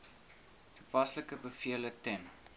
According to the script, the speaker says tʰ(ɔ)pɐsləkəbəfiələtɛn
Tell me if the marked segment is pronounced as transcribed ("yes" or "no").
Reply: no